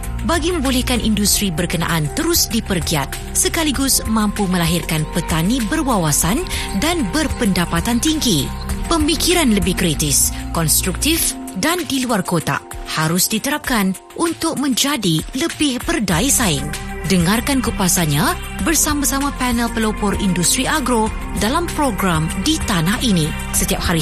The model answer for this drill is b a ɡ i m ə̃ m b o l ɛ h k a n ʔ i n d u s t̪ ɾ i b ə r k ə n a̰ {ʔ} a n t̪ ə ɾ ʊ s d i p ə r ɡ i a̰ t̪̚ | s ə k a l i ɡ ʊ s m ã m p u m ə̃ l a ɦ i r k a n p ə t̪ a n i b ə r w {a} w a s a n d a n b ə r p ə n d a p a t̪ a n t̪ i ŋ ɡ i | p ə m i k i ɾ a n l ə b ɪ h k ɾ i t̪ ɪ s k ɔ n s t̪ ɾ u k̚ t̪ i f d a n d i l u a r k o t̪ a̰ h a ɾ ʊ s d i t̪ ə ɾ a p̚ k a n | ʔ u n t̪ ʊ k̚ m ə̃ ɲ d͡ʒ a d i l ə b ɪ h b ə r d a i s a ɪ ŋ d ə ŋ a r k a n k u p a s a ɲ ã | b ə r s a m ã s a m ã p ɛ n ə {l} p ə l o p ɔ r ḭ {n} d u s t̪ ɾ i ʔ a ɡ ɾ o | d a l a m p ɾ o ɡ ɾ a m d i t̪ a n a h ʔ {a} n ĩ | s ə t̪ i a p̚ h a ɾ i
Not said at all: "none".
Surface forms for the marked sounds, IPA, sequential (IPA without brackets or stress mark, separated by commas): ʔ, a, l, n, i